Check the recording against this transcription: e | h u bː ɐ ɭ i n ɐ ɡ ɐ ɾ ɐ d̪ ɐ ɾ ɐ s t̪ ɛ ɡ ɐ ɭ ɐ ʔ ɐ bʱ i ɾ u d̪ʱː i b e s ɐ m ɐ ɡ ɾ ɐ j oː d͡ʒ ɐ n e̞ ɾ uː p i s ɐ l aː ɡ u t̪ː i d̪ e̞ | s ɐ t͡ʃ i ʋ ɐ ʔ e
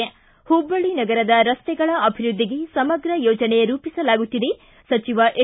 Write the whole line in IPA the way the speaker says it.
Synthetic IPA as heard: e | h u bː ɐ ɭ i n ɐ ɡ ɐ ɾ ɐ d̪ ɐ ɾ ɐ s t̪ ɛ ɡ ɐ ɭ ɐ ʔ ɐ bʱ i ɾ u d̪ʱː i ɡ e s ɐ m ɐ ɡ ɾ ɐ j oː d͡ʒ ɐ n e̞ ɾ uː p i s ɐ l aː ɡ u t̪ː i d̪ e̞ | s ɐ t͡ʃ i ʋ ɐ ʔ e

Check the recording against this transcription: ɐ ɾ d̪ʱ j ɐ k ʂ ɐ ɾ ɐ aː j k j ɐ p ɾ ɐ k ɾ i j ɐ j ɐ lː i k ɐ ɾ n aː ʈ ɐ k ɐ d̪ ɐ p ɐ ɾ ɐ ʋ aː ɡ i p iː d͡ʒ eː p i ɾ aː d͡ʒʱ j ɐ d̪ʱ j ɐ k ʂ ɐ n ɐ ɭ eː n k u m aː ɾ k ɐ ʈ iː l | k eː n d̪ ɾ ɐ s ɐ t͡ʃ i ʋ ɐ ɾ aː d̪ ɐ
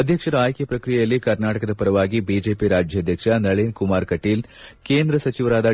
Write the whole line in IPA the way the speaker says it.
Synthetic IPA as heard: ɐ d̪ʱ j ɐ k ʂ ɐ ɾ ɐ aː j k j ɐ p ɾ ɐ k ɾ i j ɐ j ɐ lː i k ɐ ɾ n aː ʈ ɐ k ɐ d̪ ɐ p ɐ ɾ ɐ ʋ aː ɡ i b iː d͡ʒ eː p i ɾ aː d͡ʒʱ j ɐ d̪ʱ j ɐ k ʂ ɐ n ɐ ɭ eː n k u m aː ɾ k ɐ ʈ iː l | k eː n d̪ ɾ ɐ s ɐ t͡ʃ i ʋ ɐ ɾ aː d̪ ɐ

